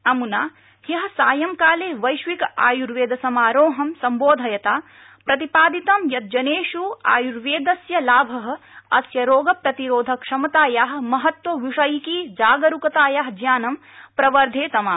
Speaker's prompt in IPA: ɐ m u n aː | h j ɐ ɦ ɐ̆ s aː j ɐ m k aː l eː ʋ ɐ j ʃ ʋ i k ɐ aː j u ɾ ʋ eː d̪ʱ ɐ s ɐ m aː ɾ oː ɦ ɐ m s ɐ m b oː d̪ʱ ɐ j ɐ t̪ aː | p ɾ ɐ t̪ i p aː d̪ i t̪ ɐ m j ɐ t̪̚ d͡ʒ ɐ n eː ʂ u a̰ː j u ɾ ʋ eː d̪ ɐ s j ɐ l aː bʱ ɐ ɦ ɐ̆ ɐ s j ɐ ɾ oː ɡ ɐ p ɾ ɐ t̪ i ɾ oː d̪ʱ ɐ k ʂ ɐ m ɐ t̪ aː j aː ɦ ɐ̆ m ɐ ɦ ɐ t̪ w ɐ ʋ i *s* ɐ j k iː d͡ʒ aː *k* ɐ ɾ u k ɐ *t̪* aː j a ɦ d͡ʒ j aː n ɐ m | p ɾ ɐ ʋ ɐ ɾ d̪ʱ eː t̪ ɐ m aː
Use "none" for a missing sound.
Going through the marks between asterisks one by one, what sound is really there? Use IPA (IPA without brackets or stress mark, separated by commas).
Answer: ʂ, ɡ, t̪